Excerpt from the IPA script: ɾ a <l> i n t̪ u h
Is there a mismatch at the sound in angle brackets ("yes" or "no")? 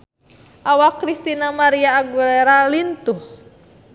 no